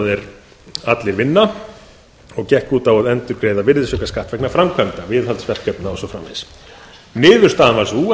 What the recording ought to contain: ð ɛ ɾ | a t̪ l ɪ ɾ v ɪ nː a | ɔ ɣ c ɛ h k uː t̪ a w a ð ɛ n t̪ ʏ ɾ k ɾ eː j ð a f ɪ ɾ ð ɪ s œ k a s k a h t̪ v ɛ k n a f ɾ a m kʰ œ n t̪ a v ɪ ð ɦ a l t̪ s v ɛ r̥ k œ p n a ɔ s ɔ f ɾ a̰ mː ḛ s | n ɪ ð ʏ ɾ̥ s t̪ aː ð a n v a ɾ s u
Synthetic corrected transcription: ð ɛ ɾ | a t̪ l ɪ ɾ v ɪ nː a | ɔ ɣ c ɛ h k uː t̪ a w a ð ɛ n t̪ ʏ ɾ k ɾ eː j ð a v ɪ ɾ ð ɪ s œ k a s k a h t̪ v ɛ k n a f ɾ a m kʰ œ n t̪ a v ɪ ð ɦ a l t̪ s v ɛ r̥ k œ p n a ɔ s ɔ f ɾ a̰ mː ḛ s | n ɪː ð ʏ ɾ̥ s t̪ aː ð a n v a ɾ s u